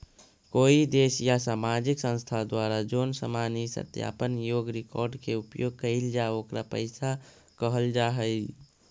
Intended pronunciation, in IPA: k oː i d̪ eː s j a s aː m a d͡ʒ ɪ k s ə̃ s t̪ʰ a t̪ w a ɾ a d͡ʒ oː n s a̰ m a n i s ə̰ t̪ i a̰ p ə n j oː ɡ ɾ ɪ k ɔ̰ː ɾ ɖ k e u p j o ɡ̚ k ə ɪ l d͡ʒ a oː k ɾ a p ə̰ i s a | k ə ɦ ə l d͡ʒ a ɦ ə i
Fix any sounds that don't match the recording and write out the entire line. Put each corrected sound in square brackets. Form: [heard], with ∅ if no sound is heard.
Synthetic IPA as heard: k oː i d̪ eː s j a s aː m a d͡ʒ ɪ k s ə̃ s t̪ʰ a [d̪] w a ɾ a d͡ʒ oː n s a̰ m a n i s ə̰ t̪ [j] a̰ p ə n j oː ɡ ɾ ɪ k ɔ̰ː ɾ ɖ k e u p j o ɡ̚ k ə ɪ l d͡ʒ a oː k ɾ a p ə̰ [ɪ] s a | k ə ɦ ə l d͡ʒ a ɦ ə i